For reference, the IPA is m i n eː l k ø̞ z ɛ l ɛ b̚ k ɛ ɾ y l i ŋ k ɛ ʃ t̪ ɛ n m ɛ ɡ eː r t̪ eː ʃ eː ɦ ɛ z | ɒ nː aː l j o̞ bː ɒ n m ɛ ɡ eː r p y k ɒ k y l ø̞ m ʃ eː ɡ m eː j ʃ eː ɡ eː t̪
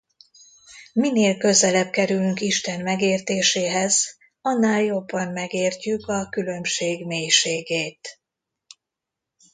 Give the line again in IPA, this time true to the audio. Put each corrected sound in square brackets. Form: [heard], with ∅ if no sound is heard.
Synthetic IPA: m i n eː l k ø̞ z ɛ l ɛ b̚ k ɛ ɾ y l [y] ŋ k [i] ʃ t̪ ɛ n m ɛ ɡ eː r t̪ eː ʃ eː ɦ ɛ z | ɒ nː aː l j o̞ bː ɒ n m ɛ ɡ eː r [c] y k ɒ k y l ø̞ m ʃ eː ɡ m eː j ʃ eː ɡ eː t̪

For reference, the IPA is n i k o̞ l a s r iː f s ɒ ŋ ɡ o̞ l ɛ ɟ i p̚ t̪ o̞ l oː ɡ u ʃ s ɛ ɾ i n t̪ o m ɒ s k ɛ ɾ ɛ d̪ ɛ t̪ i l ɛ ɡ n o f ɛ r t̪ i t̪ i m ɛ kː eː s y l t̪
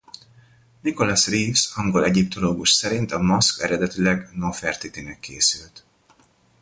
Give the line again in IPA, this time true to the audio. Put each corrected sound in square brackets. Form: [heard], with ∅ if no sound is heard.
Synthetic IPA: n i k o̞ l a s r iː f s ɒ ŋ ɡ o̞ l ɛ ɟ i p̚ t̪ o̞ l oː ɡ u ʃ s ɛ ɾ i n t̪ [ɒ] m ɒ s k ɛ ɾ ɛ d̪ ɛ t̪ i l ɛ ɡ n o f ɛ r t̪ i t̪ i [n] ɛ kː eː s y l t̪

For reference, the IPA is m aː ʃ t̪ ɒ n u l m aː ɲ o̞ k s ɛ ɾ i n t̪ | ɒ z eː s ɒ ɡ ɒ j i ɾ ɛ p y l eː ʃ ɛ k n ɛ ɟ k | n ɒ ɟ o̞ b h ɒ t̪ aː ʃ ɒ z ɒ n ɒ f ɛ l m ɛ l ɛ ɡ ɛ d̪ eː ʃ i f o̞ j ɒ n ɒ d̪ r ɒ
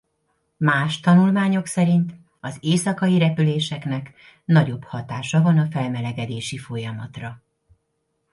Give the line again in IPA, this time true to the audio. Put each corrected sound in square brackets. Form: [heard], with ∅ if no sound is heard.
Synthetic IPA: m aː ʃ t̪ ɒ n u l m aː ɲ o̞ k s ɛ ɾ i n t̪ | ɒ z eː s ɒ [k] ɒ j i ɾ ɛ p y l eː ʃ ɛ k n ɛ [∅] k | n ɒ ɟ o̞ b h ɒ t̪ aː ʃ ɒ [v] ɒ n ɒ f ɛ l m ɛ l ɛ ɡ ɛ d̪ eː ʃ i f o̞ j ɒ [m] ɒ [t̪] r ɒ

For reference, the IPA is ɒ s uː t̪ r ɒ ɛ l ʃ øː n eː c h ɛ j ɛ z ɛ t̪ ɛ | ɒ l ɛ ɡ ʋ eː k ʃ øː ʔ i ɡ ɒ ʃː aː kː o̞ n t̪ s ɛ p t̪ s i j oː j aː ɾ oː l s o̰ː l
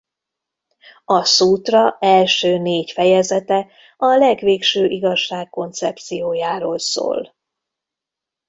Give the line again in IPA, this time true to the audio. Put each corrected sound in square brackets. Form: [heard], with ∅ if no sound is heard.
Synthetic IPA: ɒ s uː t̪ r ɒ ɛ l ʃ øː n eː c [f] ɛ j ɛ z ɛ t̪ ɛ | ɒ l ɛ ɡ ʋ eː k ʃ øː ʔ i ɡ ɒ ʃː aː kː o̞ n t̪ s ɛ p t̪ s i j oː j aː ɾ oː l s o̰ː l

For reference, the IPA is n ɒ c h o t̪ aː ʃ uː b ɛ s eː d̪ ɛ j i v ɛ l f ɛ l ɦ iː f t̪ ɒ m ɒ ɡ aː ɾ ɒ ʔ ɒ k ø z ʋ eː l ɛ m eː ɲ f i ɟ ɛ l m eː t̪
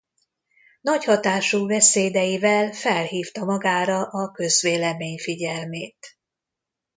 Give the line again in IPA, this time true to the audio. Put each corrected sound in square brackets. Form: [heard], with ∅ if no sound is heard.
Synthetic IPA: n ɒ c h [ɒ] t̪ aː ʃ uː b ɛ s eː d̪ ɛ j i v ɛ l f ɛ l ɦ iː f t̪ ɒ m ɒ ɡ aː ɾ ɒ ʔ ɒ k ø z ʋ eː l ɛ m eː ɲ f i ɟ ɛ l m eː t̪

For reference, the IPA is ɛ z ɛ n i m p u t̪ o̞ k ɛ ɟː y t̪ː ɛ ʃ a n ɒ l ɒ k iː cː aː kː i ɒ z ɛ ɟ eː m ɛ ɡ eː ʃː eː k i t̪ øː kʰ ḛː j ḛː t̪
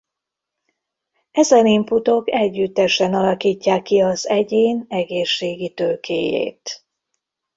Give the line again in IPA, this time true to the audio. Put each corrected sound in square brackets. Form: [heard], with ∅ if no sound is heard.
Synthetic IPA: ɛ z ɛ n i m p u t̪ o̞ k ɛ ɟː y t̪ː ɛ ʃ [ɛ] n ɒ l ɒ k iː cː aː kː i ɒ z ɛ ɟ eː [n] ɛ ɡ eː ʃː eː [ɡ] i t̪ øː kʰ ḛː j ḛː t̪

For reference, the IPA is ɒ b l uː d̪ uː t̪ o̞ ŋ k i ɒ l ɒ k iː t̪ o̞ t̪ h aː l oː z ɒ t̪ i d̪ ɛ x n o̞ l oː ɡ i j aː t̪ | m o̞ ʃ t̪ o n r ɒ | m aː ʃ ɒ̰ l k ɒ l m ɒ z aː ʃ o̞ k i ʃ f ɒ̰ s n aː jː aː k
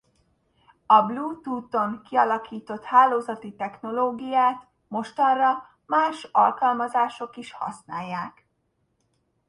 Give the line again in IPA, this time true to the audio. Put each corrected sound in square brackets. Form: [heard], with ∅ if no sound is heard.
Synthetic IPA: ɒ b l uː [t̪] uː t̪ o̞ ŋ k i ɒ l ɒ k iː t̪ o̞ t̪ h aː l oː z ɒ t̪ i [t̪] ɛ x n o̞ l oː ɡ i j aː t̪ | m o̞ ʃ t̪ [ɒ] n r ɒ | m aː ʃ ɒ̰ l k ɒ l m ɒ z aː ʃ o̞ k i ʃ [h] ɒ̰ s n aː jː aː k

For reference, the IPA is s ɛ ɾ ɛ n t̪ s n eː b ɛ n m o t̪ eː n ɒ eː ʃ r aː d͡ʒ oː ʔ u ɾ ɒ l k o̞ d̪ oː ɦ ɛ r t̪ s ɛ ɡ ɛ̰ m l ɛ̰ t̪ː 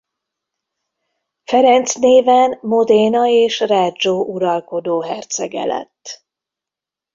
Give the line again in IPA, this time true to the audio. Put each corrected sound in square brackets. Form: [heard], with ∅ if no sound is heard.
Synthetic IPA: [f] ɛ ɾ ɛ n t̪ s n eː [v] ɛ n m o [d̪] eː n ɒ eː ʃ r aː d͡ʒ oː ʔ u ɾ ɒ l k o̞ d̪ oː ɦ ɛ r t̪ s ɛ ɡ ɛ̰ [∅] l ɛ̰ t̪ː

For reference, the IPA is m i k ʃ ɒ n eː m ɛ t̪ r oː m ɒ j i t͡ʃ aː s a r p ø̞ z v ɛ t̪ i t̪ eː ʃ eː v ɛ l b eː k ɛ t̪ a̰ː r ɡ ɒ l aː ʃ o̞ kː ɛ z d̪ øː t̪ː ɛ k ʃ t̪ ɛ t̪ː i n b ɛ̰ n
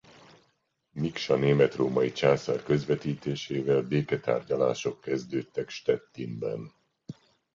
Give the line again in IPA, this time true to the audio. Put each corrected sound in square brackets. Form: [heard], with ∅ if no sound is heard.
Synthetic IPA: m i k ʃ ɒ n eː m ɛ t̪ r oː m ɒ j i t͡ʃ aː s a r [k] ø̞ z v ɛ t̪ [iː] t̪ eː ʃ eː v ɛ l b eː k ɛ t̪ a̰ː r [ɟ] ɒ l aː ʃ o̞ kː ɛ z d̪ øː t̪ː ɛ k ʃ t̪ ɛ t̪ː i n b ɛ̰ n

